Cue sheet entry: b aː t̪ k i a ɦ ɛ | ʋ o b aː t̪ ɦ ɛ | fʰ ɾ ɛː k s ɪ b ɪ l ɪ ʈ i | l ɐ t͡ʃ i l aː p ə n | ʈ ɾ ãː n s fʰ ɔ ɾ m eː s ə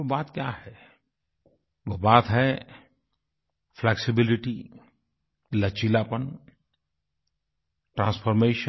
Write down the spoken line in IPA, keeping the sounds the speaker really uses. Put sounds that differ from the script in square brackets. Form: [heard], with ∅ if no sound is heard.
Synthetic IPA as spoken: b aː t̪ k [j] a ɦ ɛ | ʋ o b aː t̪ ɦ ɛ | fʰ [l] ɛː k s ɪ b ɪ l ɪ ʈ i | l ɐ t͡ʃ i l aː p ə n | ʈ ɾ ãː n s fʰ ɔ ɾ m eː [ʃ] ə